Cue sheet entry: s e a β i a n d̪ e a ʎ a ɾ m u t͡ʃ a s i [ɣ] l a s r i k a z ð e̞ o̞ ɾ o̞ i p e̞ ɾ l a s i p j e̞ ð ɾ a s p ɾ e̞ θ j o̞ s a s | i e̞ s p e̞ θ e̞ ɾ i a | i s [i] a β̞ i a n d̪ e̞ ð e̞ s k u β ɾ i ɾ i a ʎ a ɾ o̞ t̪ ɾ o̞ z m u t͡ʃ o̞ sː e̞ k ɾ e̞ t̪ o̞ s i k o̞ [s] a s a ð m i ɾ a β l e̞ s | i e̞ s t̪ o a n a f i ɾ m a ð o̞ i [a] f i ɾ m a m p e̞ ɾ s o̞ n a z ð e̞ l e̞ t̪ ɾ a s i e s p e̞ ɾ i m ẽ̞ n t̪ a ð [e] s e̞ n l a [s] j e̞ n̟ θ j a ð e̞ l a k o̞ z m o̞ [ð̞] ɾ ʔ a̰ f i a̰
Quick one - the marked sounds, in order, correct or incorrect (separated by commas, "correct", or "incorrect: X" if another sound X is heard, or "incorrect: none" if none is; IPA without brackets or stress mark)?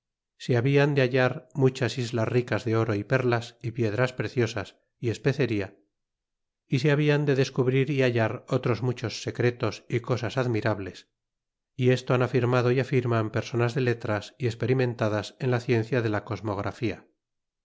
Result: incorrect: z, incorrect: e, correct, correct, incorrect: a, incorrect: θ, incorrect: ɣ̞